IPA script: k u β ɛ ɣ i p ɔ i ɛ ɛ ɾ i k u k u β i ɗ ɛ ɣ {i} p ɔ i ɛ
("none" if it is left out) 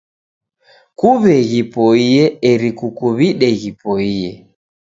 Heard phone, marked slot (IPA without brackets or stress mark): i